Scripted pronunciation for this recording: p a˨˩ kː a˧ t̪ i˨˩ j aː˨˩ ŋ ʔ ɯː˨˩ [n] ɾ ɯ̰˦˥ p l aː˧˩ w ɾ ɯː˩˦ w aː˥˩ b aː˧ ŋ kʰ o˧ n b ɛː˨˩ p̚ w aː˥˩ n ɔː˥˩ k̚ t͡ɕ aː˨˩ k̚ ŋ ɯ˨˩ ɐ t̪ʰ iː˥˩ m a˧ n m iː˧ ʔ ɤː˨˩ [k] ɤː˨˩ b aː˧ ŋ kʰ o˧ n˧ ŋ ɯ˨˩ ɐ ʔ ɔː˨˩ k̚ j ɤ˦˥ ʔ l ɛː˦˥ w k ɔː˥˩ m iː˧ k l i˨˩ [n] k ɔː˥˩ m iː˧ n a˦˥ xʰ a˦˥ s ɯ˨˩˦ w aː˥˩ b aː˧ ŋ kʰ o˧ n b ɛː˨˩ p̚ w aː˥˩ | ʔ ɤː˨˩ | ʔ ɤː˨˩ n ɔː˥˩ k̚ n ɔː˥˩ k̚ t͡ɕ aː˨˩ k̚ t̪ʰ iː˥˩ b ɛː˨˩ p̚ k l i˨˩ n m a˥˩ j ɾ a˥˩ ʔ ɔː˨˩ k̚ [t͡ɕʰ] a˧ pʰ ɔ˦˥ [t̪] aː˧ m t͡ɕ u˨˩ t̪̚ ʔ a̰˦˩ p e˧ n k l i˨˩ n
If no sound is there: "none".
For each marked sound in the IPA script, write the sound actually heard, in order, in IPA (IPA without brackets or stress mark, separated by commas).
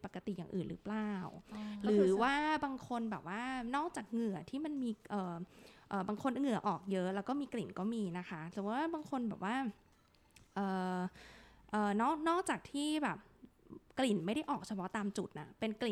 n, ʔ, n, t͡ɕʰ, t̪